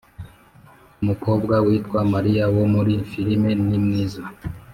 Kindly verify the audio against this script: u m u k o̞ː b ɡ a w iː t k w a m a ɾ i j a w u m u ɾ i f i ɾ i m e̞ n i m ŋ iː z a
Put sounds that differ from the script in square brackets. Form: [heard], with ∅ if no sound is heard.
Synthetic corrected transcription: u m u k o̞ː b ɡ a w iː t k w a m a ɾ i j a w [o] m u ɾ i f i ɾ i m e̞ n i m ŋ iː z a